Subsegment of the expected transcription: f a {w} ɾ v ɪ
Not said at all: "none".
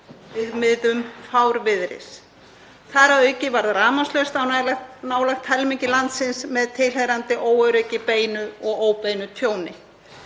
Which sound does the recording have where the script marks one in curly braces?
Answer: w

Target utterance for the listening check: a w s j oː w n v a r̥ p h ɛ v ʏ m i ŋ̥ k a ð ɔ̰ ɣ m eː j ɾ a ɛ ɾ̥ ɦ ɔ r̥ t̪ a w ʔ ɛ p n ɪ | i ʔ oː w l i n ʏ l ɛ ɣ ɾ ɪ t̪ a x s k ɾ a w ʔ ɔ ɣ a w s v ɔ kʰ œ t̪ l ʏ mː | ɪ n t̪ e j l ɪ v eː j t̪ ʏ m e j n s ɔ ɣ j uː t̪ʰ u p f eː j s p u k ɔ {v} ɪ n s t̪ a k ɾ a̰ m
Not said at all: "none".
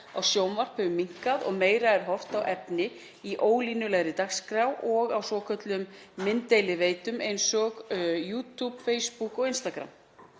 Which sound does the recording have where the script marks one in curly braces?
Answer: ɣ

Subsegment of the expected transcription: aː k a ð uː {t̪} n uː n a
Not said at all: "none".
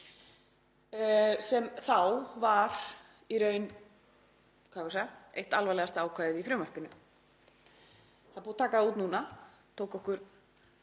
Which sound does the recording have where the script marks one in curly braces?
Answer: t̪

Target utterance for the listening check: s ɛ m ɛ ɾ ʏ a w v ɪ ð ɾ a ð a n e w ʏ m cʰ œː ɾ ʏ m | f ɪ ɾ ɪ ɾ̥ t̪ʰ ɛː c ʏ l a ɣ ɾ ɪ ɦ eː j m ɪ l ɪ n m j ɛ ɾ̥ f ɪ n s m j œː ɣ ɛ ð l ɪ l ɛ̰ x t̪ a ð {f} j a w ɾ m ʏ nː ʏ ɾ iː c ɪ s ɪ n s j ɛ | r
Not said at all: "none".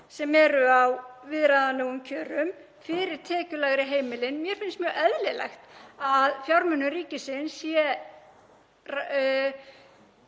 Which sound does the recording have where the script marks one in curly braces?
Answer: f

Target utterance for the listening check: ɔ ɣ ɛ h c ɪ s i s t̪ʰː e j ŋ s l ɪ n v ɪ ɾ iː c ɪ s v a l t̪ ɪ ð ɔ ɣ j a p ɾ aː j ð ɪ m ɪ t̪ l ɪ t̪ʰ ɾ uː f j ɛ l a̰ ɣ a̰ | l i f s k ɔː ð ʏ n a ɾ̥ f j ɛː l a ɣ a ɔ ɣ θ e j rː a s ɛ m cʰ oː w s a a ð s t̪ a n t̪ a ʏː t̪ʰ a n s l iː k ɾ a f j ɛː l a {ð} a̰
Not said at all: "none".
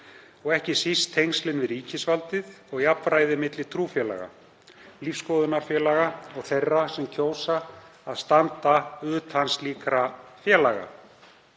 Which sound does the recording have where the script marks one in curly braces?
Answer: ɣ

